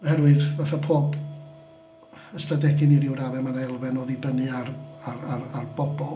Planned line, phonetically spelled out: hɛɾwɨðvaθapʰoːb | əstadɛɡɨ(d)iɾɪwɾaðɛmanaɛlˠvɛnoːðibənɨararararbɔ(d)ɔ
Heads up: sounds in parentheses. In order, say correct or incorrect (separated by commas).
incorrect, incorrect